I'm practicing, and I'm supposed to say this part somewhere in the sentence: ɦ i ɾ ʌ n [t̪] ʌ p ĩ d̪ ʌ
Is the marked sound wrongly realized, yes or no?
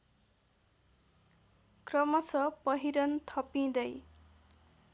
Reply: yes